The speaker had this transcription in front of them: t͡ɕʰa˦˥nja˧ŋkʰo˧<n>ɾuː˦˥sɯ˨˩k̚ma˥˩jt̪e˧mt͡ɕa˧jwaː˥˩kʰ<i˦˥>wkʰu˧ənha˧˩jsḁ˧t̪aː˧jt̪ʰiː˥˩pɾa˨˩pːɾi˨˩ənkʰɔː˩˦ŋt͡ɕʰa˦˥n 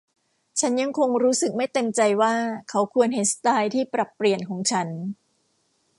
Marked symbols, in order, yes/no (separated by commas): no, no